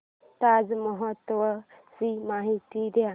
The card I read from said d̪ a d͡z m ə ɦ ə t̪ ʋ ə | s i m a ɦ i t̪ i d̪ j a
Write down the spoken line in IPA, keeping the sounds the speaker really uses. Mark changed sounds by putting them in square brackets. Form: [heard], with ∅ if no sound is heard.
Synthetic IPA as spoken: [t̪] a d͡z m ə ɦ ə t̪ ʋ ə | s i m a ɦ i t̪ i d̪ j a